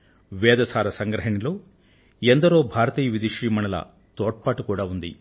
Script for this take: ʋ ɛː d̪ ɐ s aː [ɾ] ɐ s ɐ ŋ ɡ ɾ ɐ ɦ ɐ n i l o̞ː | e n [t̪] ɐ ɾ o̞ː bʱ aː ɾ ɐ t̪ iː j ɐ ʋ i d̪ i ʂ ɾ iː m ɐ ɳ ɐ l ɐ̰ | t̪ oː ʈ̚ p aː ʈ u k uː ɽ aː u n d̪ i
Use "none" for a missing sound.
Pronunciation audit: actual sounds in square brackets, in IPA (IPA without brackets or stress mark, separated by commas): ɾ, d̪